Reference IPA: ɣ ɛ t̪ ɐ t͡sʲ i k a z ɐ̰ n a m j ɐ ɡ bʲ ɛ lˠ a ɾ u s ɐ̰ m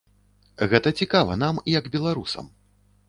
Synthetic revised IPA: ɣ ɛ t̪ ɐ t͡sʲ i k a v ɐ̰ n a m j ɐ ɡ bʲ ɛ lˠ a ɾ u s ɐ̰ m